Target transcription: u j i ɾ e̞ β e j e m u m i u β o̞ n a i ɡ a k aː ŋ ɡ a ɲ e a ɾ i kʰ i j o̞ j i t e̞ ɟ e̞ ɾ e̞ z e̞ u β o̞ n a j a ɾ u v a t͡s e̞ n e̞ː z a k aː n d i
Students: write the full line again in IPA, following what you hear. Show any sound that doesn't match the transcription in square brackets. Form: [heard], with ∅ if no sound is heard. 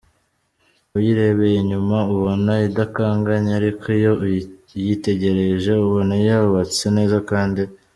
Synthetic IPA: u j i ɾ e̞ β e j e [ɲ] u m [a] u β o̞ n a i [d] a k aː ŋ ɡ a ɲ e a ɾ i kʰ i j o̞ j i t e̞ ɟ e̞ ɾ e̞ [ʒ] e̞ u β o̞ n a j a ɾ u [β] a t͡s e̞ n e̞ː z a k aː n d i